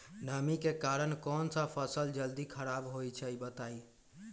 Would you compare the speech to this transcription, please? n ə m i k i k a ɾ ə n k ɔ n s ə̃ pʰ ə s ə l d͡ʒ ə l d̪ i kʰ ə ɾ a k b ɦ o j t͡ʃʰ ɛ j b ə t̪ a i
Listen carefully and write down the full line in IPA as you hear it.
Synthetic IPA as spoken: n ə m i k e k a ɾ ə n k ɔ n s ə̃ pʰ ə s ə l d͡ʒ ə l d̪ i kʰ ə ɾ a b ɦ o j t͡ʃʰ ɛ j b ə t̪ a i